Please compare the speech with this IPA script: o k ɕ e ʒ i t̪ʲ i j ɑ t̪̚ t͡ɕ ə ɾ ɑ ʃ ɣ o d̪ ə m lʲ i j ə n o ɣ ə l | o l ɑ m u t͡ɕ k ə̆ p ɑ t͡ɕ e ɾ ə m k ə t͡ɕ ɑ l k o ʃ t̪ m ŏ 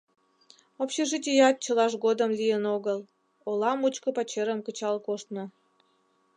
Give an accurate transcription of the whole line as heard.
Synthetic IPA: o p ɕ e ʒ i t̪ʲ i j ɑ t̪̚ t͡ɕ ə l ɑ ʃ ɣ o d̪ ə m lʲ i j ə n o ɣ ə l | o l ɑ m u t͡ɕ k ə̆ p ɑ t͡ɕ e ɾ ə m k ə t͡ɕ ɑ l k o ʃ t̪ n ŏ